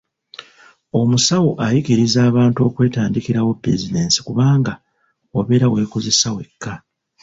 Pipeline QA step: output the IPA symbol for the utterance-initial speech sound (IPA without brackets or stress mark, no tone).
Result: o̞